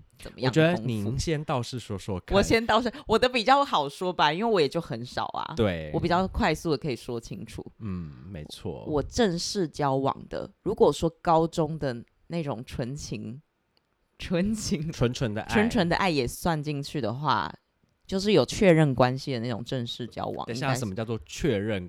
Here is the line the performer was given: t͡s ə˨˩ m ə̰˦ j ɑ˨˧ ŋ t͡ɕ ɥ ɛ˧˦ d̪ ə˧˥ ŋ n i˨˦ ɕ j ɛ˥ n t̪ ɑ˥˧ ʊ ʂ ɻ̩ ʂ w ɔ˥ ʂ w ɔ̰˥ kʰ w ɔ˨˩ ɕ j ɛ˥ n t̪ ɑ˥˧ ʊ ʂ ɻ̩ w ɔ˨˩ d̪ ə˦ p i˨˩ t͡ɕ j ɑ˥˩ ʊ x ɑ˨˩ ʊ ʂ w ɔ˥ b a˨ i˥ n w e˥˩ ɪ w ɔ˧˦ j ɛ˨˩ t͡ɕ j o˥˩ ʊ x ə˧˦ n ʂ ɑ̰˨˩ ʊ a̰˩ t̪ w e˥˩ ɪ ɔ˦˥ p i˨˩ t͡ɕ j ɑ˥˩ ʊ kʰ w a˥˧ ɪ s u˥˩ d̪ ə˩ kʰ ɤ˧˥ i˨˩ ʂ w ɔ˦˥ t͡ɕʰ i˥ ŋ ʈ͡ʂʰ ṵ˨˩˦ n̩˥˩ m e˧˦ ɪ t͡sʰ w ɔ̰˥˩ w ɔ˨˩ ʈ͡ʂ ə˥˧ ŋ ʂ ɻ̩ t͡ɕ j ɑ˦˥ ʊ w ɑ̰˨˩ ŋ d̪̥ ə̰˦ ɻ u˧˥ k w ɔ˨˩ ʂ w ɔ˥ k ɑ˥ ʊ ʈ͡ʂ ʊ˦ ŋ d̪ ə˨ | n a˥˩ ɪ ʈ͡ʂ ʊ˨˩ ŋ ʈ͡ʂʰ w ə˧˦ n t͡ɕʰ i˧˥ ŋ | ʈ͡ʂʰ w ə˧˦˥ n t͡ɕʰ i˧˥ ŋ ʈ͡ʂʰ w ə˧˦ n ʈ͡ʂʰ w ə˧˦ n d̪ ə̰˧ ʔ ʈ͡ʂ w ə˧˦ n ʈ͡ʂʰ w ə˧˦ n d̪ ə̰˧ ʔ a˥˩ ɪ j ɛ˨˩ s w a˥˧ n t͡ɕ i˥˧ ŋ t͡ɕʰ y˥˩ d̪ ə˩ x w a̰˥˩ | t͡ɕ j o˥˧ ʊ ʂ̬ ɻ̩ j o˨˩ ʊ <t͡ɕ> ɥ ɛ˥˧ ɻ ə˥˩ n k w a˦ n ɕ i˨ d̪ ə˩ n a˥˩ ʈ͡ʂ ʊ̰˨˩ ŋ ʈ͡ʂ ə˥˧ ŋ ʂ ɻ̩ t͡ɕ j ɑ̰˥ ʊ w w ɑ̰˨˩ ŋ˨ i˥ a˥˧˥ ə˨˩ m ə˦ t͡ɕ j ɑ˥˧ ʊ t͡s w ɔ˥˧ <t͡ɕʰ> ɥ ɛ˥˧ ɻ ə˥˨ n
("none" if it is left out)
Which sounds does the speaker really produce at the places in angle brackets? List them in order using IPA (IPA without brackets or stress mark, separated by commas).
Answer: t͡ɕʰ, t͡ɕʰ